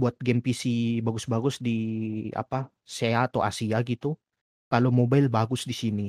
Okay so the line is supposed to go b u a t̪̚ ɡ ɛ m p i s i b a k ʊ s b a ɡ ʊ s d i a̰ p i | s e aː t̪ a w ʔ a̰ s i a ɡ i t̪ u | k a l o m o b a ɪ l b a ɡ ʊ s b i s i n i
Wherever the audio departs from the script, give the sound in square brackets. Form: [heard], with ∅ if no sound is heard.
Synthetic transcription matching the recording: b u a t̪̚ ɡ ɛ m p i s i b a [ɡ] ʊ s b a ɡ ʊ s d i a̰ p [a] | s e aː t̪ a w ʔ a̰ s i a ɡ i t̪ u | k a l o m o b a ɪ l b a ɡ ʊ s [d] i s i n i